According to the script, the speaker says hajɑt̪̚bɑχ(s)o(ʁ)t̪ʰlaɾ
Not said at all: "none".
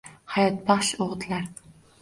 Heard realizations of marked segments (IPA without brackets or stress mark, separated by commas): ʃ, ʁ